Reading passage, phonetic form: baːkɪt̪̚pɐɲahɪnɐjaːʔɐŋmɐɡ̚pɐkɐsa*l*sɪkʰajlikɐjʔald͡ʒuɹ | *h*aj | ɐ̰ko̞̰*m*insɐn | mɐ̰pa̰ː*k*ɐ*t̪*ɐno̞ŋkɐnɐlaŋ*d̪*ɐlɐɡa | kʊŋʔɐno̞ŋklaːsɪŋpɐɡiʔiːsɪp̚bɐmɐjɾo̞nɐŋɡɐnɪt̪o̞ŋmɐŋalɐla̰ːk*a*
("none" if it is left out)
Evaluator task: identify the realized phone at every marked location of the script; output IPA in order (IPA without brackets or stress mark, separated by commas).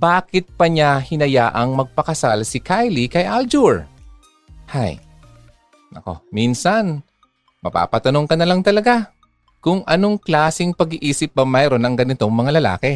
l, h, m, p, t̪, t̪, ɛ